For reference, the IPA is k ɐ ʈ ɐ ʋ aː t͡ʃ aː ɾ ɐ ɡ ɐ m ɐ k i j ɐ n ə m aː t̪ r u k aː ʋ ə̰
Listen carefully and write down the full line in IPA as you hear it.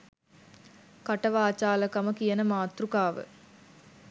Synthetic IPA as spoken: k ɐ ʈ ɐ ʋ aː t͡ʃ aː l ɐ k ɐ m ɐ k i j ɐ n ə m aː t̪ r u k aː ʋ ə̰